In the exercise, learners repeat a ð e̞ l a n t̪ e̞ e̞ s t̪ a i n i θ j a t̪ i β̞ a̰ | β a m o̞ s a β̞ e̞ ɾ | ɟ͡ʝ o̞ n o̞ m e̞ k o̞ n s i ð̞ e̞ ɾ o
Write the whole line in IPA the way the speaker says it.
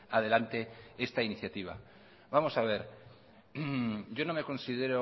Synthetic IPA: a ð e̞ l a n t̪ e̞ e̞ s t̪ a i n i θ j a t̪ i β̞ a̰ | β a m o̞ s a β̞ e̞ ɾ | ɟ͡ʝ o̞ n o̞ m e̞ k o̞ n s i ð̞ e̞ ɾ o